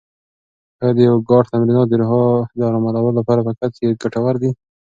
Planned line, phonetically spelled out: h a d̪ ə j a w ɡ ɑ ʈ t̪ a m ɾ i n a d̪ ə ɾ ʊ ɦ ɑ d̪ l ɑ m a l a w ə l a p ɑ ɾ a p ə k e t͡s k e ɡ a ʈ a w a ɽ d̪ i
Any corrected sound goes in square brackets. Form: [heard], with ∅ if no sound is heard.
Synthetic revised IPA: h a d̪ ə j a w ɡ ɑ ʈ t̪ a m ɾ i n [ɑ] d̪ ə ɾ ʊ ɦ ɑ d̪ [ɾ] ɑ m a l a w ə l a p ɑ ɾ a p ə k [a] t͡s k e ɡ a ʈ a w a [ɾ] d̪ i